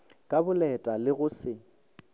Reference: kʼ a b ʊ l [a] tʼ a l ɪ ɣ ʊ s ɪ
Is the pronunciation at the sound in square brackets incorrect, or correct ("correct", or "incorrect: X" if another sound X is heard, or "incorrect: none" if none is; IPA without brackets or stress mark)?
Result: incorrect: ɛ